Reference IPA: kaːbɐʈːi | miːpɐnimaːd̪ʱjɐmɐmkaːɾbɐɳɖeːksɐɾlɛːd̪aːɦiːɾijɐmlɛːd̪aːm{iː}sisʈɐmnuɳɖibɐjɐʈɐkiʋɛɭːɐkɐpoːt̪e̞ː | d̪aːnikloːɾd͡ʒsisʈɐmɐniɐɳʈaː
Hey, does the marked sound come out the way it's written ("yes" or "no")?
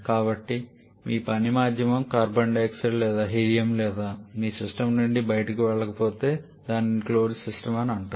yes